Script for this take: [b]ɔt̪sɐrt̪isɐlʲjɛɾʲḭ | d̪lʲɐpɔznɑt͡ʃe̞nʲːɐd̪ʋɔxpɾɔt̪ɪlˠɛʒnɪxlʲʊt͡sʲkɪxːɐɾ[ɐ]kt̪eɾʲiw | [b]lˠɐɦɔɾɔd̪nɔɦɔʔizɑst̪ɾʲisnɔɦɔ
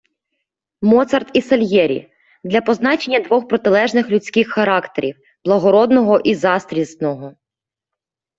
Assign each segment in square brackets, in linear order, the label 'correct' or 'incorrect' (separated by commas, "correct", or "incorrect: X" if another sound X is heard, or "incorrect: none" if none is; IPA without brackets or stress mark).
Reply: incorrect: m, incorrect: ɑ, correct